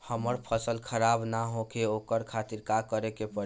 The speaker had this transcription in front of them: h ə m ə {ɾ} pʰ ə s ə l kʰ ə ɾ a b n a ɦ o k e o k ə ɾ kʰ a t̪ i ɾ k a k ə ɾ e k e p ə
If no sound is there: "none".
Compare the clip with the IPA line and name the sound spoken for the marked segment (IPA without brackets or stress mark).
ɾ